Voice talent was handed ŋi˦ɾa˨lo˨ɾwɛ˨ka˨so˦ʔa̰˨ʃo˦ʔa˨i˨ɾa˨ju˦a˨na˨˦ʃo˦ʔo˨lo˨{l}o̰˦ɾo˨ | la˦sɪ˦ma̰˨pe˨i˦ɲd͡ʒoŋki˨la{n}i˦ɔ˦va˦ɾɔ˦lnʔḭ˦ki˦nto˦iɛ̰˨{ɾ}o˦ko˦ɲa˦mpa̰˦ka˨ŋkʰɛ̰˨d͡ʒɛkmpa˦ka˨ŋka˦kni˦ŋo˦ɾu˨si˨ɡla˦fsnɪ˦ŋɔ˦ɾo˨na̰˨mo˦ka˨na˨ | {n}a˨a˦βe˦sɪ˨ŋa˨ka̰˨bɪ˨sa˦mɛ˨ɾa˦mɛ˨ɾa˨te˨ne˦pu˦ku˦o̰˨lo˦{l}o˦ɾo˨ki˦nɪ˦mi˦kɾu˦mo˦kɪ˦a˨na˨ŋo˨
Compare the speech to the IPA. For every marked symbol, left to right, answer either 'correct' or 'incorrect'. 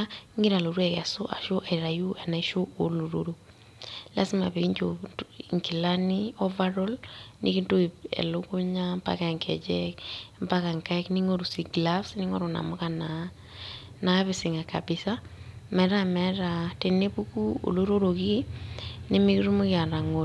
incorrect, correct, incorrect, correct, incorrect

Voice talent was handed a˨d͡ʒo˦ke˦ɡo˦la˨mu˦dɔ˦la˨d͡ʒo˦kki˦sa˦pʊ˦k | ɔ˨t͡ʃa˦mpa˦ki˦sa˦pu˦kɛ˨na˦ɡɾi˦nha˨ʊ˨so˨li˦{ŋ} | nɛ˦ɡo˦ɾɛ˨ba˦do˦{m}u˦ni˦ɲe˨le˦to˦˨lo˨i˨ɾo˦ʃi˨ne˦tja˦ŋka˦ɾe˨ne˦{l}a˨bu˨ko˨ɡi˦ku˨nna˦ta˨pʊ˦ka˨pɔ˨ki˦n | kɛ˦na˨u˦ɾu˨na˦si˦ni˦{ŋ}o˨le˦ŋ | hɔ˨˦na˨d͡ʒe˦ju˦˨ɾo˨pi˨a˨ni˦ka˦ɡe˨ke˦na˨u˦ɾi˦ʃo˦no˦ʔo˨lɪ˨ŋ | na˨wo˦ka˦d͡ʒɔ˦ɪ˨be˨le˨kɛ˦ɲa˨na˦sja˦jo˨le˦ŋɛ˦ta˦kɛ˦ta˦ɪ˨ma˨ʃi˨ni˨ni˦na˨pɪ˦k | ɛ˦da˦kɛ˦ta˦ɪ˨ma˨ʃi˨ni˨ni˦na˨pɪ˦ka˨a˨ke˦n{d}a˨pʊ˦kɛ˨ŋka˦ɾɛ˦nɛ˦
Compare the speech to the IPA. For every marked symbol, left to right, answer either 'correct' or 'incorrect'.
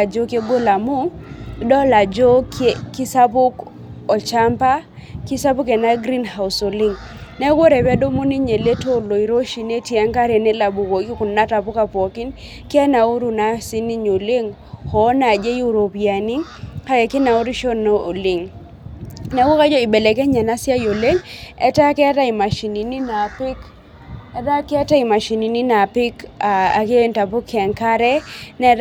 correct, correct, correct, incorrect, incorrect

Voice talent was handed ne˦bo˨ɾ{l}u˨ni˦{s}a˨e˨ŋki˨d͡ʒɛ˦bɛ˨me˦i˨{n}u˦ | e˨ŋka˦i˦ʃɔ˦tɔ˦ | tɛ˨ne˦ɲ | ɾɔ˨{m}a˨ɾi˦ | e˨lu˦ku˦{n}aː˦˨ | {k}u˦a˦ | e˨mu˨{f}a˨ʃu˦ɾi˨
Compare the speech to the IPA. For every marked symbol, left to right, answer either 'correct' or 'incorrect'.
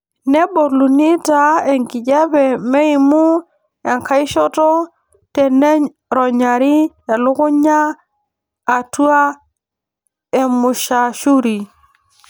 correct, incorrect, incorrect, incorrect, incorrect, incorrect, incorrect

